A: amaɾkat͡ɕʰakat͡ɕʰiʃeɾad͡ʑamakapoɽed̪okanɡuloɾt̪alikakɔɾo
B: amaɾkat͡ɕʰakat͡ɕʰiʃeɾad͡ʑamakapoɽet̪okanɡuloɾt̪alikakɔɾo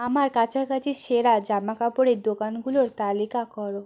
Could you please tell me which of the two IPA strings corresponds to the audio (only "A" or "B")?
A